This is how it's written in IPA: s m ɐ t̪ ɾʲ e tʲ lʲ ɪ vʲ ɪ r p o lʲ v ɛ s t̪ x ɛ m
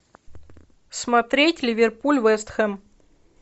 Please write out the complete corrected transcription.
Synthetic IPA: s m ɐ t̪ ɾʲ e tʲ lʲ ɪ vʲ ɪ r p u lʲ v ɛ s t̪ x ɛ m